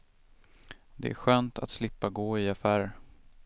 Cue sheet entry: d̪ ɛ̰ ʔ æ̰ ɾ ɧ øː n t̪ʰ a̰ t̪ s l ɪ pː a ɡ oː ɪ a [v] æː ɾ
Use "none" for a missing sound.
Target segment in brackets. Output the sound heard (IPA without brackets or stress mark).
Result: f